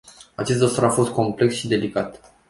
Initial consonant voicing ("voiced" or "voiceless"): voiceless